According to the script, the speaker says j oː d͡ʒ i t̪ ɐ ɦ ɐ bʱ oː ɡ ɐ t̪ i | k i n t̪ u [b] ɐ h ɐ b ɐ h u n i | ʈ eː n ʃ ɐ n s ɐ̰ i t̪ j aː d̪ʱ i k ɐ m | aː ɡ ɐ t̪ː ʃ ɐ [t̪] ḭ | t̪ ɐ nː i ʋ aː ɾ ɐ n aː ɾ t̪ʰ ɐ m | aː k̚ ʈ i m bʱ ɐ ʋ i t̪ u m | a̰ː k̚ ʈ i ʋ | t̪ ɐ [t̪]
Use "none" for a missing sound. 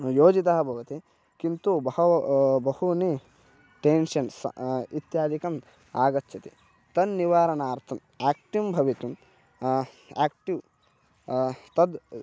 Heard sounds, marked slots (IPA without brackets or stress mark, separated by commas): b, t̪, d̪